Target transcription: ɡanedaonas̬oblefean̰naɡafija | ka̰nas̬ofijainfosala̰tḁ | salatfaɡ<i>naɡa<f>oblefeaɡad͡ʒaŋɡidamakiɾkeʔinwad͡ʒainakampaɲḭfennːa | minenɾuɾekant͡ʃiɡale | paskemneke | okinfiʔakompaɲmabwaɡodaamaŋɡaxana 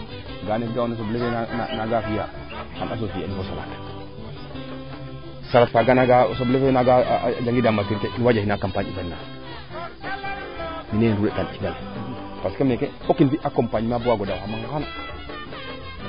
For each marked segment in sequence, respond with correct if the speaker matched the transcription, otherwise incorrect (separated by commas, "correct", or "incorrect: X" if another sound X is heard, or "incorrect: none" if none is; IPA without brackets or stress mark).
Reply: incorrect: a, incorrect: s